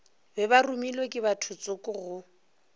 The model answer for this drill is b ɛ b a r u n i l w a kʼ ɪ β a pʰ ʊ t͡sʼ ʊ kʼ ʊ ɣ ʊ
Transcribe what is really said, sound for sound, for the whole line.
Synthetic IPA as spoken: b ɛ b a r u m i l w e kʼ ɪ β a tʰ ʊ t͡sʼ ʊ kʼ ʊ ɣ ʊ